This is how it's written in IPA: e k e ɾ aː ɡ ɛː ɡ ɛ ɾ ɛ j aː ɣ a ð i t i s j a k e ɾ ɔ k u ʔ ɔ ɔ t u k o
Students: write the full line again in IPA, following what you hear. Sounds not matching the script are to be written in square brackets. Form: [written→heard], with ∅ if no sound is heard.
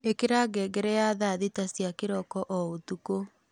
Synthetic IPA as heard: e k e ɾ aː ɡ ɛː ɡ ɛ ɾ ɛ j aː [ɣ→ð] a ð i t [i→a] s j a k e ɾ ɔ k [u→ɔ] ʔ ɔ [ɔ→o] t u k o